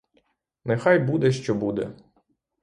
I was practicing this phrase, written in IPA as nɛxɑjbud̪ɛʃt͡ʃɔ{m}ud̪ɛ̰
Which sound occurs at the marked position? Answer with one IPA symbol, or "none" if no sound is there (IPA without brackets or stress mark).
b